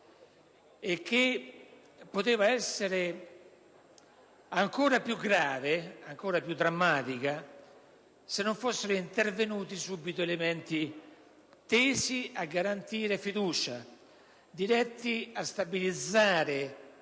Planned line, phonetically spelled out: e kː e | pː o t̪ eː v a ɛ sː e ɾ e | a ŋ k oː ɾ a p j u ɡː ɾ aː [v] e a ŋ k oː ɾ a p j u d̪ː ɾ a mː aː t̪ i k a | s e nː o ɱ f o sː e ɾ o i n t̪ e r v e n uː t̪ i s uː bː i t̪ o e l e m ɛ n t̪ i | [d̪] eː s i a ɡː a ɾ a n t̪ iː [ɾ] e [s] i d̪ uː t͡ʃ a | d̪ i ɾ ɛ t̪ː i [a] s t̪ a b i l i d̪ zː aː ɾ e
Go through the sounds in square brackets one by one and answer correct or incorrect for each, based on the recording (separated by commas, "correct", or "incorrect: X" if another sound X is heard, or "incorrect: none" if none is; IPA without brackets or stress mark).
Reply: correct, incorrect: t̪, correct, incorrect: f, correct